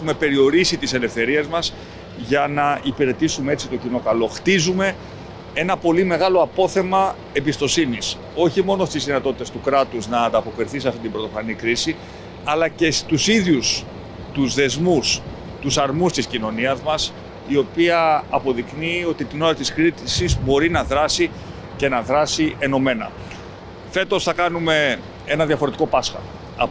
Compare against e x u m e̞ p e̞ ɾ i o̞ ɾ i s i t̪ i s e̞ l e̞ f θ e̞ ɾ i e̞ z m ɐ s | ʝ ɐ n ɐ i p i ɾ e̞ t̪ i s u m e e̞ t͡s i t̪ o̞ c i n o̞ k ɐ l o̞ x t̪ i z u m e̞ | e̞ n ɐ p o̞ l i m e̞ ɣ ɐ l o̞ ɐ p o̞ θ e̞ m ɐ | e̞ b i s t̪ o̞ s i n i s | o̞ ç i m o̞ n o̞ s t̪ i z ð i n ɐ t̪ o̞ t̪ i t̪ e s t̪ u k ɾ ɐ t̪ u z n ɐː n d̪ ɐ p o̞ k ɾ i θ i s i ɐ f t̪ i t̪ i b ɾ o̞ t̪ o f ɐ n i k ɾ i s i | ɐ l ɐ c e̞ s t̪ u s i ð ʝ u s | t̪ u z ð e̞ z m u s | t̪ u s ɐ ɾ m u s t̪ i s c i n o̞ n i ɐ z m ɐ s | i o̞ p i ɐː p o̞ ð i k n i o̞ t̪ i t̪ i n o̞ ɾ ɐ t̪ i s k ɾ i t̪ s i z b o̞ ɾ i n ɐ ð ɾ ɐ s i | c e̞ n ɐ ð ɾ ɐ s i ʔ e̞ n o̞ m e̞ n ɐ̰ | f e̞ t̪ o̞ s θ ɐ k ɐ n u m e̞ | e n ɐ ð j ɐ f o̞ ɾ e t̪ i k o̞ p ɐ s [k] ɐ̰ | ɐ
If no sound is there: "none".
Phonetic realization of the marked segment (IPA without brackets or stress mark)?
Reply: x